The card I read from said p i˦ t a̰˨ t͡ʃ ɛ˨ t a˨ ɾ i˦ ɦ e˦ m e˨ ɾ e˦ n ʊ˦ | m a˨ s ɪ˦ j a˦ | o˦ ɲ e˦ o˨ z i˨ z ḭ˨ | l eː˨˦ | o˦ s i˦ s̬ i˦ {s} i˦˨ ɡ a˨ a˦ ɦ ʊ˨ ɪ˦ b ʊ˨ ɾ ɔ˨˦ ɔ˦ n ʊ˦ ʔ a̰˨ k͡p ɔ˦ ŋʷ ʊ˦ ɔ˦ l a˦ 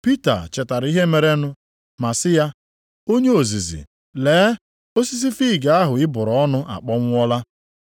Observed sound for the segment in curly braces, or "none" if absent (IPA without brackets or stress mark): f